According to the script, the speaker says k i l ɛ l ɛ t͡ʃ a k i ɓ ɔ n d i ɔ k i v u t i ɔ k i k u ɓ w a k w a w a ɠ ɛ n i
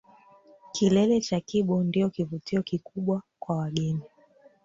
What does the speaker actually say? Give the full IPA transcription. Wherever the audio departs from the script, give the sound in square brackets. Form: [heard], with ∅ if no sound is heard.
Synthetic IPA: k i l ɛ l ɛ t͡ʃ a k i ɓ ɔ n d i ɔ k i v u t i ɔ k i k u ɓ w a k w a w a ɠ ɛ n i